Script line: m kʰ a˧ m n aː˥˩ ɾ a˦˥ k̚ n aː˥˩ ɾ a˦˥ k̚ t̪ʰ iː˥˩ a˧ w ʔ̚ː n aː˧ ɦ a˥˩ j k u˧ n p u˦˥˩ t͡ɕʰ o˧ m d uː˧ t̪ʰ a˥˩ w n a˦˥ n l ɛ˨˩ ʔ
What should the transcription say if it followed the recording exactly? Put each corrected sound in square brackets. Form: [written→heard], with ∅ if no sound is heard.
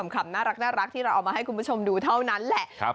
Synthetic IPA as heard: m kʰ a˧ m n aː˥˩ ɾ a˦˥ k̚ n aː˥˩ ɾ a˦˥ k̚ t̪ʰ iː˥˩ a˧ w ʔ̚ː [n→m] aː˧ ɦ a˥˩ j k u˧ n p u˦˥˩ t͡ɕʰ o˧ m d uː˧ t̪ʰ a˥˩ w n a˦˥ n l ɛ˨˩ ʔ